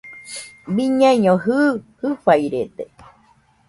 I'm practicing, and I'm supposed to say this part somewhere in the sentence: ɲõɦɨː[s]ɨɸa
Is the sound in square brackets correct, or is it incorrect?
incorrect